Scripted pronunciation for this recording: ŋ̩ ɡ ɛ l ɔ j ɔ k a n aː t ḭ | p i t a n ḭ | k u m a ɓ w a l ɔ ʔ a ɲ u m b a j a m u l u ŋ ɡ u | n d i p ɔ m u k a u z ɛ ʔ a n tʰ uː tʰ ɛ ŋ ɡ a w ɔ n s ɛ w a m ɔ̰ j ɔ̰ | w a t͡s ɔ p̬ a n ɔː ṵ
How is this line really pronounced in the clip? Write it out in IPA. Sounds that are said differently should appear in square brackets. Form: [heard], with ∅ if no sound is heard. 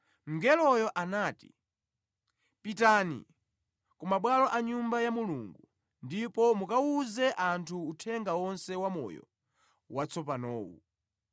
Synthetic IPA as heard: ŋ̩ ɡ ɛ l ɔ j ɔ [ʔ] a n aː t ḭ | p i t a n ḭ | k u m a ɓ w a l ɔ ʔ a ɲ u m b a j a m u l u ŋ ɡ u | n d i p ɔ m u k a u z ɛ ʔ a n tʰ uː tʰ ɛ ŋ ɡ a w ɔ n s ɛ w a m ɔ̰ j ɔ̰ | w a t͡s ɔ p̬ a n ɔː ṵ